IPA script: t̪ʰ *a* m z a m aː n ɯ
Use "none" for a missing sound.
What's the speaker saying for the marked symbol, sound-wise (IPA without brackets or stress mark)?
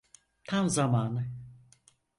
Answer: a